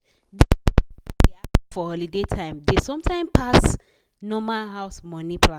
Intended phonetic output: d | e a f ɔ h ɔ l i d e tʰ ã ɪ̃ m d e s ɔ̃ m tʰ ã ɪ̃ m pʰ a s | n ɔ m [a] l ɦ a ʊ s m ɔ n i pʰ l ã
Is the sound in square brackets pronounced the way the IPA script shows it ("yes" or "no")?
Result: yes